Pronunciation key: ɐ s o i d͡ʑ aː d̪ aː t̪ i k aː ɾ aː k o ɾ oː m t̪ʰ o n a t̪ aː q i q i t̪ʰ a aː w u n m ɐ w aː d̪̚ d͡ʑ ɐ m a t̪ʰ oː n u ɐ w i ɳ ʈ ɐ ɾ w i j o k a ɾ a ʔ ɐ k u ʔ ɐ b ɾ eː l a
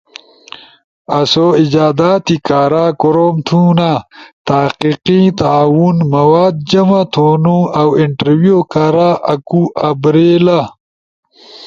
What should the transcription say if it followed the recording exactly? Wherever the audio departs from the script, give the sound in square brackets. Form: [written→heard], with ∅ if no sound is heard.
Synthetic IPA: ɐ s o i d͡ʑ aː d̪ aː t̪ i k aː ɾ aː k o ɾ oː m t̪ʰ [o→u] n a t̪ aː q i q i [t̪ʰ→t̪] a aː w u n m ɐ w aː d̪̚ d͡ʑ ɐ m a t̪ʰ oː n u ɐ w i ɳ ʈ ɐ ɾ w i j o k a ɾ a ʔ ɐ k u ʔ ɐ b ɾ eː l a